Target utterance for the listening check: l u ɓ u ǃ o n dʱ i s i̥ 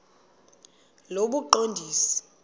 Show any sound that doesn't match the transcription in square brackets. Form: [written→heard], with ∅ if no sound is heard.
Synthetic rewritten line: l [u→o] ɓ u ǃ o n dʱ [i→iː] s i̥